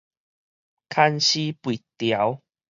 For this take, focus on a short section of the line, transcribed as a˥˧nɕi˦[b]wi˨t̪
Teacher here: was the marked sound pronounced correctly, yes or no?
no